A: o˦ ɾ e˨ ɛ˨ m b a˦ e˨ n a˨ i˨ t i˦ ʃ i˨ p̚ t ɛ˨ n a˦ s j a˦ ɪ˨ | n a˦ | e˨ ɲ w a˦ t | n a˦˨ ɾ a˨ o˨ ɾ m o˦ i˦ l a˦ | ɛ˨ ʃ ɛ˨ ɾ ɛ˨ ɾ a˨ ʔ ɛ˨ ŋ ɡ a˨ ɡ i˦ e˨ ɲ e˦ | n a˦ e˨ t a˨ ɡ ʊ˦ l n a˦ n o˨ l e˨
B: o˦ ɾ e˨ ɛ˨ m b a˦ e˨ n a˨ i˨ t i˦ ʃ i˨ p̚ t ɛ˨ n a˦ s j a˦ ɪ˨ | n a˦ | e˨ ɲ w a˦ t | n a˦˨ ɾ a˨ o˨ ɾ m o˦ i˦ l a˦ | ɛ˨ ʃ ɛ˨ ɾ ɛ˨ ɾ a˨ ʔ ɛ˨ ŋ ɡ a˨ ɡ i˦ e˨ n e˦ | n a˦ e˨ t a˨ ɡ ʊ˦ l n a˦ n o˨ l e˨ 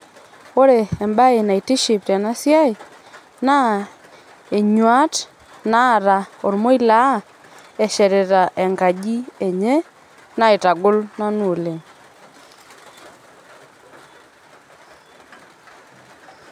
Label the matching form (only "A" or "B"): A